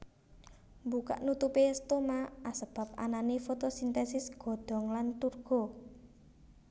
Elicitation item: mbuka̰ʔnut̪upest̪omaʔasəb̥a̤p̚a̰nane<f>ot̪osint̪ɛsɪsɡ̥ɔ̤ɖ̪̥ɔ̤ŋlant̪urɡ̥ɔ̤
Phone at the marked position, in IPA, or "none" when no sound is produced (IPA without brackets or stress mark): f